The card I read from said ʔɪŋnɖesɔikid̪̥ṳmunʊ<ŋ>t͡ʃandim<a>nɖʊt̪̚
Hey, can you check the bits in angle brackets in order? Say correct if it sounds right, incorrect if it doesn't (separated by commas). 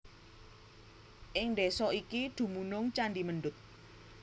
correct, incorrect